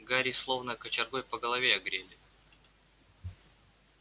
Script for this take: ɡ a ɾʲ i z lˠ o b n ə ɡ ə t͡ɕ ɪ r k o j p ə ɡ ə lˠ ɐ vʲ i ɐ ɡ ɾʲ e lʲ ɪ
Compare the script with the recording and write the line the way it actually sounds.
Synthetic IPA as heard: ɡ a ɾʲ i s lˠ o v n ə k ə t͡ɕ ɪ r ɡ o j p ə ɡ ə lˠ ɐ vʲ e ɐ ɡ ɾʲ e lʲ ɪ